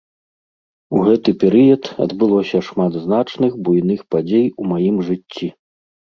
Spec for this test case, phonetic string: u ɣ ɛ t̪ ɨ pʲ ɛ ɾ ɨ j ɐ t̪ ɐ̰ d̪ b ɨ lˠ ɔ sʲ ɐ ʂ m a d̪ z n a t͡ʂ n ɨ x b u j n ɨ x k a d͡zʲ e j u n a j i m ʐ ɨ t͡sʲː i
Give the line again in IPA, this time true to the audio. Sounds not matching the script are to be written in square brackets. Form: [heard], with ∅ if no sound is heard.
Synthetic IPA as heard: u ɣ ɛ t̪ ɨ pʲ ɛ ɾ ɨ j ɐ t̪ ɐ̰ d̪ b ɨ lˠ ɔ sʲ ɐ ʂ m a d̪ z n a t͡ʂ n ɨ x b u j n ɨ x [p] a d͡zʲ e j u [m] a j i m ʐ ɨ t͡sʲː i